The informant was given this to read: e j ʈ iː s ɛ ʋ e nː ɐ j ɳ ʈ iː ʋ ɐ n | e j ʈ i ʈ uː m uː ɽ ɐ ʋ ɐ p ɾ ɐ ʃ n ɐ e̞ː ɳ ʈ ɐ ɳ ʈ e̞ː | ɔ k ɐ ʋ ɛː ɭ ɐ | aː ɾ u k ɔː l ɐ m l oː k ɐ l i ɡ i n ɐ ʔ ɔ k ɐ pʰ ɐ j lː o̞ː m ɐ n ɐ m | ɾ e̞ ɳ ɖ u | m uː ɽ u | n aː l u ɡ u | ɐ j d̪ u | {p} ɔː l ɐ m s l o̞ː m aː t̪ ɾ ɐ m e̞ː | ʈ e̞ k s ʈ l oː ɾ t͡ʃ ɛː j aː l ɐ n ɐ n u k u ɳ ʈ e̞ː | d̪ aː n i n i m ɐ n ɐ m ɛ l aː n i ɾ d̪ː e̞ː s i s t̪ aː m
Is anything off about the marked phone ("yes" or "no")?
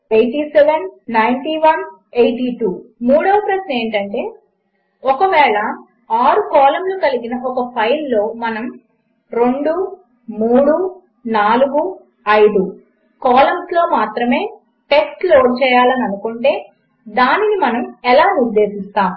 yes